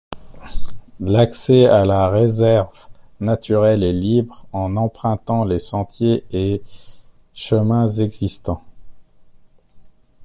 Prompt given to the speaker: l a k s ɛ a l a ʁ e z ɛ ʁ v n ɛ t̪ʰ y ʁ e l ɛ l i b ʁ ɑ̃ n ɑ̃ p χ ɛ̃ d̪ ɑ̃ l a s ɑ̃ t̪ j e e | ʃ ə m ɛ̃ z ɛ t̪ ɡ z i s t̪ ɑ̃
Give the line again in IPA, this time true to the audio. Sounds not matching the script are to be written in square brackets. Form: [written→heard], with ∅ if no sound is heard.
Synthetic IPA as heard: l a k s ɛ a l a ʁ e z ɛ ʁ v n [ɛ→a] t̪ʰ y ʁ [e→ɛ] l ɛ l i b ʁ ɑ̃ n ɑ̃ p χ ɛ̃ [d̪→t̪] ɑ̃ l [a→e] s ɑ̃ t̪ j e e | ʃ ə m ɛ̃ z ɛ [t̪→∅] ɡ z i s t̪ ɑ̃